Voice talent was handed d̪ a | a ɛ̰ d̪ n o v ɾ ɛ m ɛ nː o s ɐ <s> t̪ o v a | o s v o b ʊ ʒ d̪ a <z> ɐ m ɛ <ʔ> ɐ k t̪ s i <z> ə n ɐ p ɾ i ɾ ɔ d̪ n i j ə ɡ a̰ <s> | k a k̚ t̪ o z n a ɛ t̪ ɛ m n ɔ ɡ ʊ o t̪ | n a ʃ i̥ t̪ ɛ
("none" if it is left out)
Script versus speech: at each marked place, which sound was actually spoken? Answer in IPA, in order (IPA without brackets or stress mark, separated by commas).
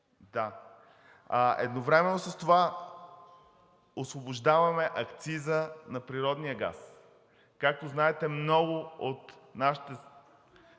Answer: s, v, ʔ, z, s